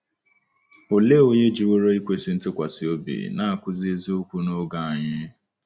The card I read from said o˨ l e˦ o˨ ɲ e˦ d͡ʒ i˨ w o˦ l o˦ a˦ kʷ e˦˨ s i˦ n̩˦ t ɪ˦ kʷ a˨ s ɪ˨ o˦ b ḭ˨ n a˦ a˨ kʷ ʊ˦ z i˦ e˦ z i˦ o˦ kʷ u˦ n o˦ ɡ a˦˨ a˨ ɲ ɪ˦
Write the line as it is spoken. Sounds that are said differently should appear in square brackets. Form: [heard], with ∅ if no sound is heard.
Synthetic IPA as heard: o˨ l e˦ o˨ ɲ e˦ d͡ʒ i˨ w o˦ [ɾ] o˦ [i˦] kʷ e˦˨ s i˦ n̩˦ t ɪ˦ kʷ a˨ s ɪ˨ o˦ b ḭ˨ n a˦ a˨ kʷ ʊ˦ z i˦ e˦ z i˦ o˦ kʷ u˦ n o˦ ɡ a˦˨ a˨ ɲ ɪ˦